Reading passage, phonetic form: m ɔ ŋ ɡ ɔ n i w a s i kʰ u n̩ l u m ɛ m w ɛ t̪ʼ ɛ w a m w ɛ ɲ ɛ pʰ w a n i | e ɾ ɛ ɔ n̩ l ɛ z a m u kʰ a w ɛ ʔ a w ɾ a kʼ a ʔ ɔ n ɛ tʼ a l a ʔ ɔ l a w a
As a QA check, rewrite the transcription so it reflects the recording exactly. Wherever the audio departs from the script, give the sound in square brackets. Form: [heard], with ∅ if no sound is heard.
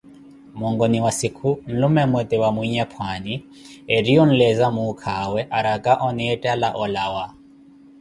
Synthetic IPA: m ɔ ŋ ɡ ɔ n i w a s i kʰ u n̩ l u m ɛ m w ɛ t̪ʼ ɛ w a m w [i] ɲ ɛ pʰ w a n i | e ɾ [i] ɔ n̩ l ɛ z a m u kʰ a w ɛ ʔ a [∅] ɾ a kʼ a ʔ ɔ n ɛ tʼ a l a ʔ ɔ l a w a